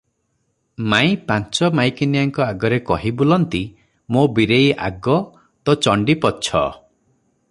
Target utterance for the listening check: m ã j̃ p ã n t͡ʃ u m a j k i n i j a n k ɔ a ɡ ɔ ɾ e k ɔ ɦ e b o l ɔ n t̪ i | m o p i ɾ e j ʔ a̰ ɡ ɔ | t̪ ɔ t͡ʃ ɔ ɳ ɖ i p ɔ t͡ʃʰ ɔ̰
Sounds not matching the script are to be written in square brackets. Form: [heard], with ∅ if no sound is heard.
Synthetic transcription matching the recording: m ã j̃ p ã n t͡ʃ [ɔ] m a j k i n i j a [ŋ] k ɔ a ɡ ɔ ɾ e k ɔ ɦ [i] b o l ɔ n t̪ i | m o [b] i ɾ e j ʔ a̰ ɡ ɔ | t̪ ɔ t͡ʃ ɔ ɳ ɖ i p ɔ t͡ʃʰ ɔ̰